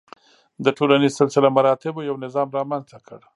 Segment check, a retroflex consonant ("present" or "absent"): present